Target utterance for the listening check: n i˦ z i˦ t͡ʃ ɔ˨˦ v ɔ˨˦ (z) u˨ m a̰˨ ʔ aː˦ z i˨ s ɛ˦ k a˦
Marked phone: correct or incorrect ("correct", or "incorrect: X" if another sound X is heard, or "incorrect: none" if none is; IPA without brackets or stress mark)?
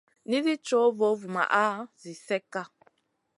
incorrect: v